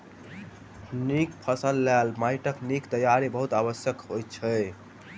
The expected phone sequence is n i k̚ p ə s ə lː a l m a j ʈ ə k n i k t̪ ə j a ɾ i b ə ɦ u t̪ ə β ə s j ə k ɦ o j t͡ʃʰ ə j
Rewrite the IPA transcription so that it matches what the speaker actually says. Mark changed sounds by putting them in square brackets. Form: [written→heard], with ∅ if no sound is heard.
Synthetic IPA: n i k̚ [p→pʰ] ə s ə lː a l m a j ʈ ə k n i k t̪ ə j a ɾ i b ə ɦ u t̪ [ə→a] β ə s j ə k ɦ o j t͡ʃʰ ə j